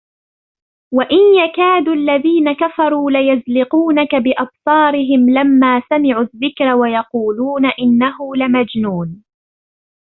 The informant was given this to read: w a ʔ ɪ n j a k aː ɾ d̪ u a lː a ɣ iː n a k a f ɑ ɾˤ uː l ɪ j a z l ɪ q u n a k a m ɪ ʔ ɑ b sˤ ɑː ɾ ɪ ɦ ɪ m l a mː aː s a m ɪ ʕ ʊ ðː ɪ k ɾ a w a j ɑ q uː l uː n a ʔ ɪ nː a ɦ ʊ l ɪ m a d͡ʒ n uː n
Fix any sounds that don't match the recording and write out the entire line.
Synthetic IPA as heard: w a ʔ ɪ n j a k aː d̪ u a lː a ð iː n a k a f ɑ ɾˤ uː l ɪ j a z l ɪ q uː n a k a b ɪ ʔ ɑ b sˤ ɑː ɾ ɪ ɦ ɪ m l a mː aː s a m ɪ ʕ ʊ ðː ɪ k ɾ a w a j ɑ q uː l uː n a ʔ ɪ nː a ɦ ʊ l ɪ m a d͡ʒ n uː n

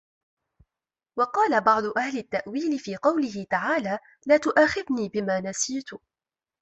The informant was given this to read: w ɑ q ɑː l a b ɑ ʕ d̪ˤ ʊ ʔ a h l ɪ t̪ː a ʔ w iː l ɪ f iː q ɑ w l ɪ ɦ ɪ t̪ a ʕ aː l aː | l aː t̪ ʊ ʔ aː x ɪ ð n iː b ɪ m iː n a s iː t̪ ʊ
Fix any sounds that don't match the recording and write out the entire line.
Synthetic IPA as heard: w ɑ q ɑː l a b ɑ ʕ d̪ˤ ʊ ʔ a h l ɪ t̪ː a ʔ w iː l ɪ f iː q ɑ w l ɪ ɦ ɪ t̪ a ʕ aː l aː | l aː t̪ ʊ ʔ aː x ɪ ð n iː b ɪ m aː n a s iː t̪ ʊ

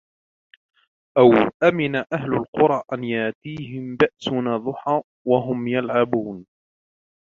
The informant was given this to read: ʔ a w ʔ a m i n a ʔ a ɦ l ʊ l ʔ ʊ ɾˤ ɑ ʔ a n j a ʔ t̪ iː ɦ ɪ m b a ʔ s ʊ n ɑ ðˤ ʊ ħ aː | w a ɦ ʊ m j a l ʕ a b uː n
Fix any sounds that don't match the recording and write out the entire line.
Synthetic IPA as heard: ʔ a w ʔ a m ɪ n a ʔ a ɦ l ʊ l q ʊ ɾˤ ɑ ʔ a n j a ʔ t̪ iː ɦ ɪ m b a ʔ s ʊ n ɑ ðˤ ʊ ħ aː | w a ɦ ʊ m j a l ʕ a b uː n

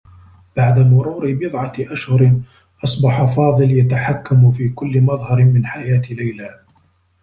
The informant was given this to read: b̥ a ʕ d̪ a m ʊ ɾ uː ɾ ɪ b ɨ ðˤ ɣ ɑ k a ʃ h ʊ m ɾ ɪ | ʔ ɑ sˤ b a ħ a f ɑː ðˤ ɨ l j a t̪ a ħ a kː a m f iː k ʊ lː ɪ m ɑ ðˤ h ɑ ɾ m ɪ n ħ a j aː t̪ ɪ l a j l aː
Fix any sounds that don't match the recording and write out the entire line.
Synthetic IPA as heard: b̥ a ʕ d̪ a m ʊ ɾ uː ɾ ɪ b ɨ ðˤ ʕ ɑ ʔ a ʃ h ʊ ɾ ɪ | ʔ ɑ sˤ b ɑ ħ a f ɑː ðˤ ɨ l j a t̪ a ħ a kː a m f iː k ʊ lː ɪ m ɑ ðˤ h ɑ ɾ m ɪ n ħ a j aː t̪ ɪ l a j l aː

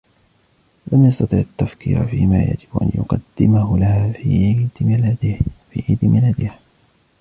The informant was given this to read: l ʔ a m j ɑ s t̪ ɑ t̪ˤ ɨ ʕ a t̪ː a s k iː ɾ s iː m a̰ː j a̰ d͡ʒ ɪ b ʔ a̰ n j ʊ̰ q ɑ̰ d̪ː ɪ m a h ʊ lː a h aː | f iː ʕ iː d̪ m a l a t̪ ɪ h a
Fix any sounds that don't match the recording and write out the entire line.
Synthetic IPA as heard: l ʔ a m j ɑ s t̪ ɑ t̪ˤ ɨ ʕ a t̪ː a f k iː ɾ f iː m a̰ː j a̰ d͡ʒ ɪ b ʔ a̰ n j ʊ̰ q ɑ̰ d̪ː ɪ m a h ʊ l a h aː | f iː ʕ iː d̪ m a l a d̪ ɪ h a

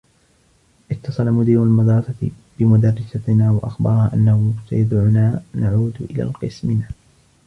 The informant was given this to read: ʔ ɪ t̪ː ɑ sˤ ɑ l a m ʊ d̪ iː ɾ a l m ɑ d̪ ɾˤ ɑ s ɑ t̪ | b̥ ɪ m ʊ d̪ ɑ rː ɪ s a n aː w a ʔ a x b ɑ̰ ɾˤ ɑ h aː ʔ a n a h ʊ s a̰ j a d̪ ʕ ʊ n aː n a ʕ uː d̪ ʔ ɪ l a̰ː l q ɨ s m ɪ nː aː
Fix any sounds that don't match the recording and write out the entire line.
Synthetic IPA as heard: ʔ ɪ t̪ː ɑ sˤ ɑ l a m ʊ d̪ iː ɾ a l m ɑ d̪ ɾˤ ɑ s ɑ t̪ | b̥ ɪ m ʊ d̪ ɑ rː ɪ s a n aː w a ʔ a x b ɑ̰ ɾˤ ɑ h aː ʔ a nː a h ʊ s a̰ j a d̪ ʕ ʊ n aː n a ʕ uː d̪ ʔ ɪ l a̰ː l q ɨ s m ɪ n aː

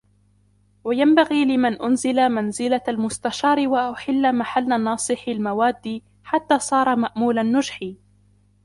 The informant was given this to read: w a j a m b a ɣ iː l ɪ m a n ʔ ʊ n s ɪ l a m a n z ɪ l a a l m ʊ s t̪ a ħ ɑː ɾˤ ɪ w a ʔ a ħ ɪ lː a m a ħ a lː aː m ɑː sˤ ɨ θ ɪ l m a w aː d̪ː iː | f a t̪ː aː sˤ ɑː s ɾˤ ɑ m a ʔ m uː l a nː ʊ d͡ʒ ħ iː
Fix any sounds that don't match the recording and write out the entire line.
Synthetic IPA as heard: w a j a m b a ɣ iː l ɪ m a n ʔ ʊ n z ɪ l a m a n z ɪ l a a l m ʊ s t̪ a ʃ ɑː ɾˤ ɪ w a ʔ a ħ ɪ lː a m a ħ a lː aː n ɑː sˤ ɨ ħ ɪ l m a w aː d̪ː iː | ħ a t̪ː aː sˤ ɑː ɾˤ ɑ m a ʔ m uː l a nː ʊ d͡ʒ ħ iː

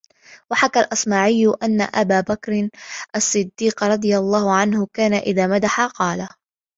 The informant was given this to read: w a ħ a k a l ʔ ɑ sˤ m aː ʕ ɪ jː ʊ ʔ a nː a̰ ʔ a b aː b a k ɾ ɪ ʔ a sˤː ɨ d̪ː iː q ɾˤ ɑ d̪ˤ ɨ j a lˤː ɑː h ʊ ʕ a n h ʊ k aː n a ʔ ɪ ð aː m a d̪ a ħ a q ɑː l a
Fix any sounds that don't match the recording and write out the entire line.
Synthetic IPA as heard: w a ħ a k a l ʔ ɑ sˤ m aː ʕ ɪ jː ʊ ʔ a nː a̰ ʔ a b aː b a k ɾ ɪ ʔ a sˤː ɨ d̪ː iː q ɾˤ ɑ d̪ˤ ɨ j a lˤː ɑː h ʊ ʕ a n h ʊ k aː n a ʔ ɪ ð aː m a d̪ a ħ a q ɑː l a

